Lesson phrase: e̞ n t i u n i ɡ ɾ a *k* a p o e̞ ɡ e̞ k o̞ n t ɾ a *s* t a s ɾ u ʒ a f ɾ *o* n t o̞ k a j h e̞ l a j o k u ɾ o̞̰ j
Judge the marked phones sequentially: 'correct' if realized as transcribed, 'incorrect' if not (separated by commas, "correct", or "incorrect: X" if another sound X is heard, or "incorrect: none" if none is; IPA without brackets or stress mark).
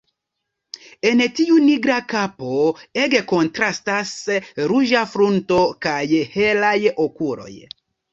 correct, correct, incorrect: u